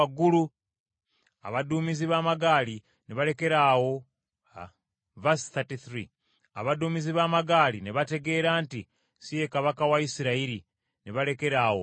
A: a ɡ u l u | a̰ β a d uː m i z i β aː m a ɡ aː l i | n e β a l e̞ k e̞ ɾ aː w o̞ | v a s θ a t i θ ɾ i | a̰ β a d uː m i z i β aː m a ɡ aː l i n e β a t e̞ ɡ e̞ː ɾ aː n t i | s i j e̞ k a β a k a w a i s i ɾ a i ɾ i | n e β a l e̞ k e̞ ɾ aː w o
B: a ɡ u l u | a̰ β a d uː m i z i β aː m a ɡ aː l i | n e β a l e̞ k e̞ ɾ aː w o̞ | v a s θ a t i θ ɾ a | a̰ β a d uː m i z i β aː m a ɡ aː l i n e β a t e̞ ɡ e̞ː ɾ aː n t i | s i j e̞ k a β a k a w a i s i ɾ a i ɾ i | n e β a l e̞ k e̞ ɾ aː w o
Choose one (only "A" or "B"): A